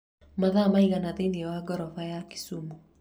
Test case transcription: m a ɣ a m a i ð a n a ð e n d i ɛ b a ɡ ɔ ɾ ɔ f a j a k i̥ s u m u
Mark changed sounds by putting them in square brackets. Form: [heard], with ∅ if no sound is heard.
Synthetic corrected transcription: m a [ð] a m a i [ɣ] a n a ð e n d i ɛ [w] a ɡ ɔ ɾ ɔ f a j a k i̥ s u m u